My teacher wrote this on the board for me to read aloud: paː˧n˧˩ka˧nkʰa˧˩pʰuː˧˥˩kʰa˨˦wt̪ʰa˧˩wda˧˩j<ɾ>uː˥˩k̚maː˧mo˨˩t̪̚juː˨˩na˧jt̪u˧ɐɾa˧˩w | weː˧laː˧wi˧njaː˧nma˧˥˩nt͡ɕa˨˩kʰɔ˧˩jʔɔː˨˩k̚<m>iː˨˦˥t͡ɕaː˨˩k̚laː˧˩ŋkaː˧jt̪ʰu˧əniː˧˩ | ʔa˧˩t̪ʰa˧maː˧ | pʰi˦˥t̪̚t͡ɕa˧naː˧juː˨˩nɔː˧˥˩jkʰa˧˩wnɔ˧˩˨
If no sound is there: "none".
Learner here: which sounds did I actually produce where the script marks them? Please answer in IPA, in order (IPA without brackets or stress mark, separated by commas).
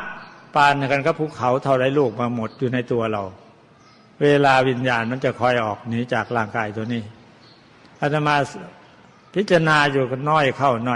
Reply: l, n